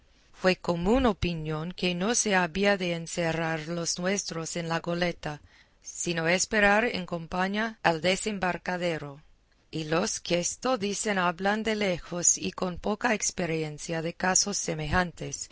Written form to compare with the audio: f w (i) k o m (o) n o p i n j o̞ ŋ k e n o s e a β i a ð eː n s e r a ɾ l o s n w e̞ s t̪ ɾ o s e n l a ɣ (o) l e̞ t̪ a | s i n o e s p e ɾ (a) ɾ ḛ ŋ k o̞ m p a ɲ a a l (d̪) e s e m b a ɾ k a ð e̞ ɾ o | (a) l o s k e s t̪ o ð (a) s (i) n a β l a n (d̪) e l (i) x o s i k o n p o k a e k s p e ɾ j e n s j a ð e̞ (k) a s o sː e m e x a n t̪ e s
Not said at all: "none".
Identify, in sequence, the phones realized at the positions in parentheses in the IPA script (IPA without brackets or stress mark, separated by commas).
e, u, o, a, d̪, i, i, e, d̪, e, k